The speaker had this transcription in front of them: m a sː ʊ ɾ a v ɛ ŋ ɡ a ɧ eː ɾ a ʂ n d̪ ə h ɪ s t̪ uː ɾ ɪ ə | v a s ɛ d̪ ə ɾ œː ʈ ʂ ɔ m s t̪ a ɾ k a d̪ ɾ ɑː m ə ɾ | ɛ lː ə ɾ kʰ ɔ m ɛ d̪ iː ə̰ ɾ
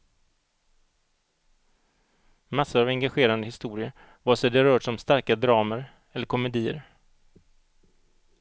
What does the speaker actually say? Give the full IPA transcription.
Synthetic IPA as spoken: m a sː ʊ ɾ a v ɛ ŋ ɡ a ɧ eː ɾ a n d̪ ə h ɪ s t̪ uː ɾ ɪ ə | v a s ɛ d̪ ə ɾ œː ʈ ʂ ɔ m s t̪ a ɾ k a d̪ ɾ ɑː m ə ɾ | ɛ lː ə ɾ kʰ ɔ m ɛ d̪ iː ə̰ ɾ